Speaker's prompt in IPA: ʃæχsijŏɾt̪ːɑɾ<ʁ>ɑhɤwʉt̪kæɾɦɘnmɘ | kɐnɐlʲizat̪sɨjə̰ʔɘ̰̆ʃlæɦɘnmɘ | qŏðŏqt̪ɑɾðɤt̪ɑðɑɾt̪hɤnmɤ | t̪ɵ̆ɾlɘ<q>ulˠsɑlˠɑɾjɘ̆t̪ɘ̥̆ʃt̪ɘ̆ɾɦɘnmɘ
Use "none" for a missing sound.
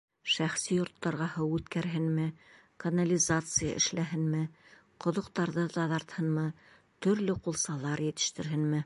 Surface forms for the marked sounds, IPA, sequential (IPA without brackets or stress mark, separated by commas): ʁ, q